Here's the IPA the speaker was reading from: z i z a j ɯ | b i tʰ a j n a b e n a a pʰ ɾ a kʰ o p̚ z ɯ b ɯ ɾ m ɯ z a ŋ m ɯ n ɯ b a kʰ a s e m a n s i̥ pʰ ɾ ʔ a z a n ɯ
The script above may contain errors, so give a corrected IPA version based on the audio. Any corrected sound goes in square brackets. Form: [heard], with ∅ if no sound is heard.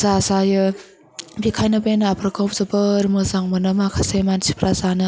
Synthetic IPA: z [a] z a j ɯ | b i [kʰ] a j n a b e n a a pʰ ɾ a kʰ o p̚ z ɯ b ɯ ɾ m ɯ z a ŋ m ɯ n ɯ [m] a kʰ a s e m a n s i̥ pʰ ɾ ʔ a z a n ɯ